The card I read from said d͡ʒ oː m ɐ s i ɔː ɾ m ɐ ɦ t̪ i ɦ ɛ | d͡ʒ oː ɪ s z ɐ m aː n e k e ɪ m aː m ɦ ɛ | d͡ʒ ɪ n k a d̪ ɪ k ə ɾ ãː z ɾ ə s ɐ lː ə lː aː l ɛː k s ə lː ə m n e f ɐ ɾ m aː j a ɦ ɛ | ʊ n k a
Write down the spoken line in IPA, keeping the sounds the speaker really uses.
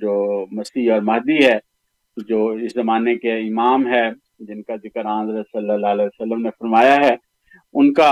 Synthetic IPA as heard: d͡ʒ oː m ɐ s i ɔː ɾ m ɐ ɦ d̪ i ɦ ɛ | d͡ʒ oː ɪ s z ɐ m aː n e k e ɪ m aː m ɦ ɛ | d͡ʒ ɪ n k a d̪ ɪ k ə ɾ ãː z ɾ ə s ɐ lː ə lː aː l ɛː s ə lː ə m n e f ɐ ɾ m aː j a ɦ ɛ | ʊ n k a